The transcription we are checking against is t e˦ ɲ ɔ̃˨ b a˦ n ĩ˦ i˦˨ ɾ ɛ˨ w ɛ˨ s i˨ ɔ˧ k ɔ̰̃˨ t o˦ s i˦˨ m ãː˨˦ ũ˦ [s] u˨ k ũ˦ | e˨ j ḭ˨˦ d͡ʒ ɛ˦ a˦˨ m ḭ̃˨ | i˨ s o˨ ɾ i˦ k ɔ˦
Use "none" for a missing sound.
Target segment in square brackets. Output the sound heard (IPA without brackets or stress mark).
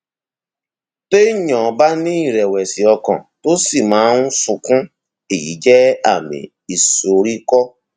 s